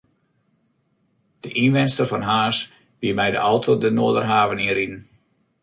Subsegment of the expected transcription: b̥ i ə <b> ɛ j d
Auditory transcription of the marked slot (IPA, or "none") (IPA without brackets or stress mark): m